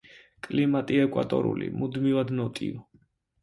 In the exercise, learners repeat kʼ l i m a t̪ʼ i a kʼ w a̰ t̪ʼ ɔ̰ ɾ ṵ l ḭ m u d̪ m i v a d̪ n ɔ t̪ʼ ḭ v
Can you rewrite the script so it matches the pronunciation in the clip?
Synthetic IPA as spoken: kʼ l i m a t̪ʼ i ɛ kʼ w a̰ t̪ʼ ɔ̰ ɾ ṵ l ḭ m u d̪ m i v a d̪ n ɔ t̪ʼ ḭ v